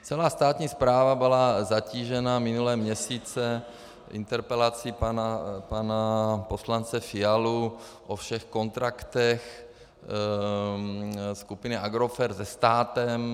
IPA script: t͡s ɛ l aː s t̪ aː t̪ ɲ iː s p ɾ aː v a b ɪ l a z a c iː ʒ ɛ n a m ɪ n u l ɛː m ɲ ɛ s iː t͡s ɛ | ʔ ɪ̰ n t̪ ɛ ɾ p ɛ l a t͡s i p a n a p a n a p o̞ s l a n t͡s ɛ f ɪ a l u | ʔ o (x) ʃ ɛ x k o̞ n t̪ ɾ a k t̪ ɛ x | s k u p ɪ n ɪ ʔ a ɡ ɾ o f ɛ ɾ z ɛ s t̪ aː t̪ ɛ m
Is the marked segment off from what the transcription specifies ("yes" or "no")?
yes